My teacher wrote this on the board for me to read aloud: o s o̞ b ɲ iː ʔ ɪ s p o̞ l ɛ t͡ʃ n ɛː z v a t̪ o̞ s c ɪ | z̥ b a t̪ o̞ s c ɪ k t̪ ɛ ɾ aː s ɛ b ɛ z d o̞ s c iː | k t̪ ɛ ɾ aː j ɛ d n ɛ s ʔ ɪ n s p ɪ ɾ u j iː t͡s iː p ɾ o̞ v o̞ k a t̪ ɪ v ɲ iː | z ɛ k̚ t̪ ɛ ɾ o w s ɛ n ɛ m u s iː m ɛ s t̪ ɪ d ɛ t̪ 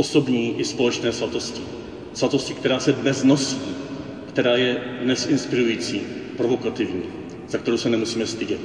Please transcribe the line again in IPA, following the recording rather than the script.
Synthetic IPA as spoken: o s o̞ b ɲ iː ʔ ɪ s p o̞ l ɛ t͡ʃ n ɛː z v a t̪ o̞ s c ɪ | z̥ v a t̪ o̞ s c ɪ k t̪ ɛ ɾ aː s ɛ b ɛ z n o̞ s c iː | k t̪ ɛ ɾ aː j ɛ d n ɛ s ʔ ɪ n s p ɪ ɾ u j iː t͡s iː p ɾ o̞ v o̞ k a t̪ ɪ v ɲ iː | z a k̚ t̪ ɛ ɾ o w s ɛ n ɛ m u s iː m ɛ s t̪ ɪ ɟ ɛ t̪